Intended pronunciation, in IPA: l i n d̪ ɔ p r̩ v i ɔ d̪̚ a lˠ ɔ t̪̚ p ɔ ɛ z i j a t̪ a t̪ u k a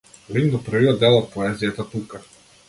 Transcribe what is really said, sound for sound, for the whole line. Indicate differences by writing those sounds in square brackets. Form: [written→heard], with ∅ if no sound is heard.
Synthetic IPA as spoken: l i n d̪ ɔ p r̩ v i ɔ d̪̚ [a→ɛ] lˠ ɔ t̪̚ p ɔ ɛ z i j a t̪ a t̪ u k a